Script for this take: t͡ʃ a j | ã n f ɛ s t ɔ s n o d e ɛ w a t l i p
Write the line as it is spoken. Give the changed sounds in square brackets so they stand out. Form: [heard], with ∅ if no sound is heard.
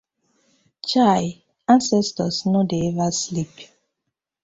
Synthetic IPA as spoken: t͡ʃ a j | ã n [s] ɛ s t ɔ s n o d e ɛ [v] a [s] l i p